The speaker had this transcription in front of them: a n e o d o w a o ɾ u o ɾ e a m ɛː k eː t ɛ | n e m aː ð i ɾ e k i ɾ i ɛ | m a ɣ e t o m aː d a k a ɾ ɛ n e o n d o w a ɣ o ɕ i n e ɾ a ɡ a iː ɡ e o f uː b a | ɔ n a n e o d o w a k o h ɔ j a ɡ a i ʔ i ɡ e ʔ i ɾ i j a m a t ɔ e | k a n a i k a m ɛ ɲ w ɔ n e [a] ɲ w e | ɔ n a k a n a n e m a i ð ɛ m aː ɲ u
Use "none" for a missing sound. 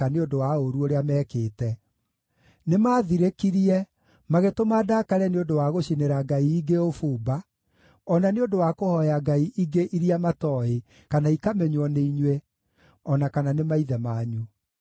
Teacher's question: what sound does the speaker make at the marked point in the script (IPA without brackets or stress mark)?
i